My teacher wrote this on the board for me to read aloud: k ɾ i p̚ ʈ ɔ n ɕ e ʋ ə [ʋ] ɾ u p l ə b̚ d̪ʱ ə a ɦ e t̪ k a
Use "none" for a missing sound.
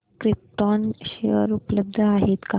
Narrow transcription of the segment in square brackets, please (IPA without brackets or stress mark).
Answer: none